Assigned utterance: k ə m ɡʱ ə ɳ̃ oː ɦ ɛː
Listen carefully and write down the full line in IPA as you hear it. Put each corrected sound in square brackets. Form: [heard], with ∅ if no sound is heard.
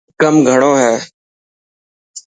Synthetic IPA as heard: k ə m ɡʱ ə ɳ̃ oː ɦ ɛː